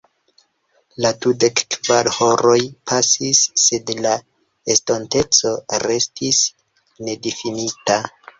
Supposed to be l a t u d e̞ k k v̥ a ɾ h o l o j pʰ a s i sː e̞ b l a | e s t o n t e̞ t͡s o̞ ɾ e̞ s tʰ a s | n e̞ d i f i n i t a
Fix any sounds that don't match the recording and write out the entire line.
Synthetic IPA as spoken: l a t u d e̞ k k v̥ a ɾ h o ɾ o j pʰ a s i sː e̞ d l a | e s t o n t e̞ t͡s o̞ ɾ e̞ s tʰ i s | n e̞ d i f i n i t a